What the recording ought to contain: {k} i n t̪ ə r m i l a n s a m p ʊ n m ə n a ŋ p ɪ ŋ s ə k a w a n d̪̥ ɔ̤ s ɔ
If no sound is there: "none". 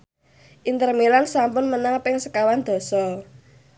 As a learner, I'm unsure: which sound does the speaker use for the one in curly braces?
ʔ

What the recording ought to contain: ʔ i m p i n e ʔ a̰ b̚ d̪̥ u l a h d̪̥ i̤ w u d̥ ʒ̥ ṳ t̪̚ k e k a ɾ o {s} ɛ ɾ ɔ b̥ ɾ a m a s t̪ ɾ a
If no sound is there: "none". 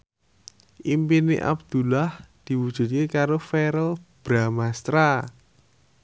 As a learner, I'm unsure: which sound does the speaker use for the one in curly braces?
f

